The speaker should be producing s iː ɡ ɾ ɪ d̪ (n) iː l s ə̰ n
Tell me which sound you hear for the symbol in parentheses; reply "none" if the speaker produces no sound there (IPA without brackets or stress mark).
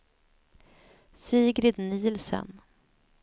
n